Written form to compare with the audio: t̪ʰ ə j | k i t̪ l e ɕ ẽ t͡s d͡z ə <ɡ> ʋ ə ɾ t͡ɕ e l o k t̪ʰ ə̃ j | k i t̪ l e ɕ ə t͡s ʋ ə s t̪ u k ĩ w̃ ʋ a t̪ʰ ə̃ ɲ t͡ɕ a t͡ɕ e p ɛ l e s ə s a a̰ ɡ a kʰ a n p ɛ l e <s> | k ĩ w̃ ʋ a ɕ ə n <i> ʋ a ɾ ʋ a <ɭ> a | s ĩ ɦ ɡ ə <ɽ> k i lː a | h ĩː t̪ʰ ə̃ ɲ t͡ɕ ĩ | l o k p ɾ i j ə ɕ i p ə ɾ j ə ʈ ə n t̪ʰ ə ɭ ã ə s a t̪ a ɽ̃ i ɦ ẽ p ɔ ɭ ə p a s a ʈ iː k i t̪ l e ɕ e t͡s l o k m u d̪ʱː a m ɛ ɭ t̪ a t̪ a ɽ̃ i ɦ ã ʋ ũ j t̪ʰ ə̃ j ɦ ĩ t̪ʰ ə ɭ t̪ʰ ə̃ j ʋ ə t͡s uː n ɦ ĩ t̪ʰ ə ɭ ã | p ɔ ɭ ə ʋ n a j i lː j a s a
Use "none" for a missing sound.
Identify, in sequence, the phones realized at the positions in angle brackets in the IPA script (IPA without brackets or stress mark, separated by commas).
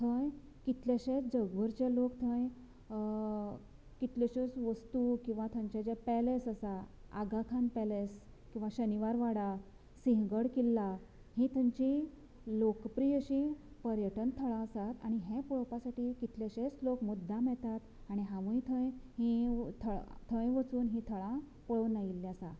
ɡ, s, i, ɽ, ɽ